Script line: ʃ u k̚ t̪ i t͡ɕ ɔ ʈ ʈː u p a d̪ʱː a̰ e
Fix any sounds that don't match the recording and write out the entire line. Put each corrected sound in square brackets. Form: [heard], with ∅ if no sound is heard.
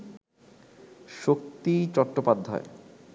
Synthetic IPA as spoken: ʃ [o] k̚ t̪ i t͡ɕ ɔ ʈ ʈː [o] p a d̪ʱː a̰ e